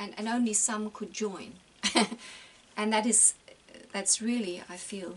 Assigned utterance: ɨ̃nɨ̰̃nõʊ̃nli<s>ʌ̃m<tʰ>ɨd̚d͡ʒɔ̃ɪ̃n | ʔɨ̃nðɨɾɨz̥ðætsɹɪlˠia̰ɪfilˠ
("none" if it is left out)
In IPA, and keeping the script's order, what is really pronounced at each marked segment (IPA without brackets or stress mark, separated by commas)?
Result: s, kʰ